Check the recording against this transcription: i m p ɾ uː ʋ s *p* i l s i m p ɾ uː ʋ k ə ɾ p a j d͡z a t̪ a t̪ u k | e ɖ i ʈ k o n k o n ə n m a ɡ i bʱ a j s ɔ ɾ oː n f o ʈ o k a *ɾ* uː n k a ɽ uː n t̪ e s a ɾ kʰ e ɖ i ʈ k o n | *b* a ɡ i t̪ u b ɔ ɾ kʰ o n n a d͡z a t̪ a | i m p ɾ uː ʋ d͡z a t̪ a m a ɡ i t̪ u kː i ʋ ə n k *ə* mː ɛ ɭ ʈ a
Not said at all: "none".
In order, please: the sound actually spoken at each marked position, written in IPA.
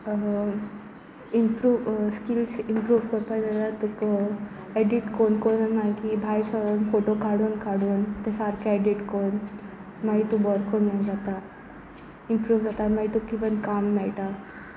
k, ɽ, m, a

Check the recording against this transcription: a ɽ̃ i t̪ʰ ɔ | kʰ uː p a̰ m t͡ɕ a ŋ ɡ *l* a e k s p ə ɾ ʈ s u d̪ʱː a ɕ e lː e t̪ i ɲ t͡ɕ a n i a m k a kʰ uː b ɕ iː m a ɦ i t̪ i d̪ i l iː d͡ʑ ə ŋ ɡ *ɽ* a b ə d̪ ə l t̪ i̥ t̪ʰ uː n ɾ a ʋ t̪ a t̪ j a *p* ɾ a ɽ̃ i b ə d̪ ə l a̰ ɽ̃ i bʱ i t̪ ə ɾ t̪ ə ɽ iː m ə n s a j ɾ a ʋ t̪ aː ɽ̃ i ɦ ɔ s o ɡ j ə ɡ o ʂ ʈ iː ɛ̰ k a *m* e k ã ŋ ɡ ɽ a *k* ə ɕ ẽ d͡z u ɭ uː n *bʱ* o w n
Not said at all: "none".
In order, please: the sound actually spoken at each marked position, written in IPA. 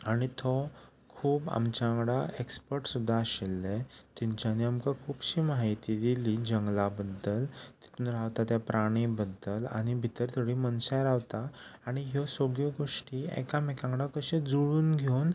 ɽ, l, p, m, k, ɡʱ

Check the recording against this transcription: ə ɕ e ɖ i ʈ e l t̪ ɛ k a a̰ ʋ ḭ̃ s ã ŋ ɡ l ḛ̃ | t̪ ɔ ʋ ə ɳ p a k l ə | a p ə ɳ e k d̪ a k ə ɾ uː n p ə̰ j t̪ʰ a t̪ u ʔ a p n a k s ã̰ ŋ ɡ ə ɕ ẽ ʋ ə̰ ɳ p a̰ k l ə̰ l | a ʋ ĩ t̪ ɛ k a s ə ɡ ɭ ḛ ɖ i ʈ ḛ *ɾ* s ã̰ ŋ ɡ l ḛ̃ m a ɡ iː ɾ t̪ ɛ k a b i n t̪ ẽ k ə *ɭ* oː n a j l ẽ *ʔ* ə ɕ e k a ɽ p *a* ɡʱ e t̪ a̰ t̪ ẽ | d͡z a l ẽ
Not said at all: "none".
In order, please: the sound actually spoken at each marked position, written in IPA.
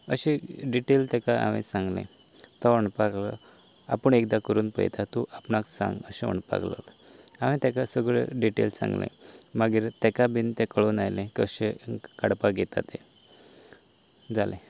l, ɭ, k, a

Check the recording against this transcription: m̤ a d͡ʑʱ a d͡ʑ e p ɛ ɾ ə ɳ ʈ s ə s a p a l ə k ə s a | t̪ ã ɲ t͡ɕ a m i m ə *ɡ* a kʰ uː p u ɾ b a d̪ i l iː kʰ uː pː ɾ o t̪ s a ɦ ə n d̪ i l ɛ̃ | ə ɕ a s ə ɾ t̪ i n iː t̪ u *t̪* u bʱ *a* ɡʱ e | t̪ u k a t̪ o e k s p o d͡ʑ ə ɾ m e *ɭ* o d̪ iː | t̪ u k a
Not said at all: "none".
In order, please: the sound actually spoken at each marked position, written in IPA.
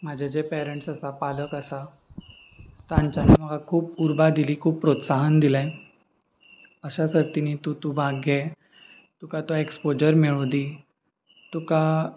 ɡ, t̪, a, ɭ

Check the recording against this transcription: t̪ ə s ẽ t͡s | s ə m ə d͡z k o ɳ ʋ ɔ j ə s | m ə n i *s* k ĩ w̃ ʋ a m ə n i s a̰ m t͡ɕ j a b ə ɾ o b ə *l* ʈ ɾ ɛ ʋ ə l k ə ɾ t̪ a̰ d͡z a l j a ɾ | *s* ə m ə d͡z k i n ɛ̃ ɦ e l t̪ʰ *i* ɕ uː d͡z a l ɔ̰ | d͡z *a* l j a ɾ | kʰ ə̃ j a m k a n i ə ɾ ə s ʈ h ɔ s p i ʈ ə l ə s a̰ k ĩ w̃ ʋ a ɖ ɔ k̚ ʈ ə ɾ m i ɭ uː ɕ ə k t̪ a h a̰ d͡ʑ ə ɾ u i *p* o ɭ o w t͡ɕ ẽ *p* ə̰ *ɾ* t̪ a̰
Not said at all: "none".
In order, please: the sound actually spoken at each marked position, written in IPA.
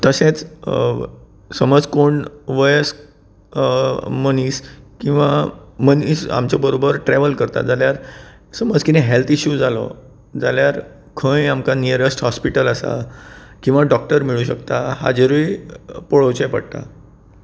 s, ɾ, s, i, a, p, p, ɽ

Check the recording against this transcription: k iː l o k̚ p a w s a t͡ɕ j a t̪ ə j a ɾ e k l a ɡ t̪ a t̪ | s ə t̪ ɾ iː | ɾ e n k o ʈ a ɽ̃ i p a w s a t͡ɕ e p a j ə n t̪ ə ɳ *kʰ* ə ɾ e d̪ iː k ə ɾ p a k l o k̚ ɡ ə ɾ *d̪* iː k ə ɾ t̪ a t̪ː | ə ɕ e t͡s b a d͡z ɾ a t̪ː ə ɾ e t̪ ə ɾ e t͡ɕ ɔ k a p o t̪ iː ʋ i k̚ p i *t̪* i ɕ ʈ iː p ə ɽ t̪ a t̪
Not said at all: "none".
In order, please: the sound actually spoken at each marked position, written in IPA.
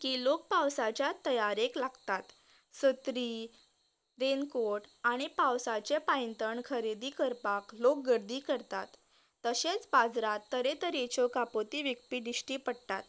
kʰ, d̪, d̪

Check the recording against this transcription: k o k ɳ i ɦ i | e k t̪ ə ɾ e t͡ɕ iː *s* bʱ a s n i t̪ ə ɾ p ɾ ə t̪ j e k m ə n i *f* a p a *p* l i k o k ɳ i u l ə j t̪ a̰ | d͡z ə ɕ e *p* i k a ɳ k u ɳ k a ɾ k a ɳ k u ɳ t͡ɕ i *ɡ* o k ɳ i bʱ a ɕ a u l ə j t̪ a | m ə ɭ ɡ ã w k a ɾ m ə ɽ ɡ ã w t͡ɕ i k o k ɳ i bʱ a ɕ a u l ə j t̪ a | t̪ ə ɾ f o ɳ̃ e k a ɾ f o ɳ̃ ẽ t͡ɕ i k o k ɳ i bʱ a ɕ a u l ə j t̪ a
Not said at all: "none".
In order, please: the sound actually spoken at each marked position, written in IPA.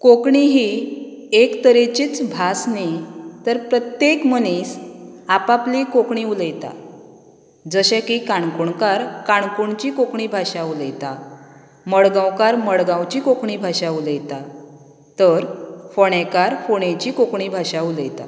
t͡s, s, p, k, k

